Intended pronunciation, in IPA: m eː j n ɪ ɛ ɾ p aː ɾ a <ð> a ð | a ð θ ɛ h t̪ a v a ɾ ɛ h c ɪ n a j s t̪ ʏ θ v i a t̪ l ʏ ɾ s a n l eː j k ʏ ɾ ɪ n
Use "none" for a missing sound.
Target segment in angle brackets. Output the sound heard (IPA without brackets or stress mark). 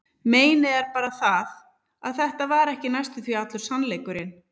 θ